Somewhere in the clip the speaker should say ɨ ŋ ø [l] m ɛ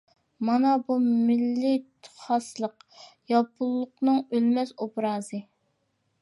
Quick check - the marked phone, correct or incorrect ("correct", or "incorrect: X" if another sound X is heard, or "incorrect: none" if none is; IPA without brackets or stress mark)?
correct